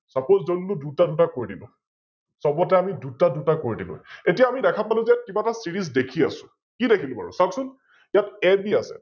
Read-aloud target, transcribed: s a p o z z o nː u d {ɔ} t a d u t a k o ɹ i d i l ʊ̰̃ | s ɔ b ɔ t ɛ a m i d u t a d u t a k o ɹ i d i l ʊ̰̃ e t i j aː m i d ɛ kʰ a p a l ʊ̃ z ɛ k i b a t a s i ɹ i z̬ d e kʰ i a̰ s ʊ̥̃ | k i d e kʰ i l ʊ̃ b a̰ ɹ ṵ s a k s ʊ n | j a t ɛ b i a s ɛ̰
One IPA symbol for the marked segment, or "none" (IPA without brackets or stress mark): u